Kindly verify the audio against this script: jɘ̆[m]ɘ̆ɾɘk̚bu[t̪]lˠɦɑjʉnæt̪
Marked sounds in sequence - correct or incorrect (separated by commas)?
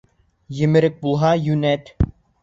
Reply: correct, incorrect